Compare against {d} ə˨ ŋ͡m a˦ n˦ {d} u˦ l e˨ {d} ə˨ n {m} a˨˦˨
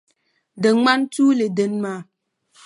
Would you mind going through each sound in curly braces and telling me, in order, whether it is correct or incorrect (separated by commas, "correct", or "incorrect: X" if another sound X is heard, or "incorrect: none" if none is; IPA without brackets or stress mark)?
correct, incorrect: t, correct, correct